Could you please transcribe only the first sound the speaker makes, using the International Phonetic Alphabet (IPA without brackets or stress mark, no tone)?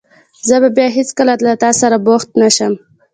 z